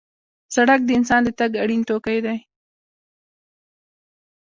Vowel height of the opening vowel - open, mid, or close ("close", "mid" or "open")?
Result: open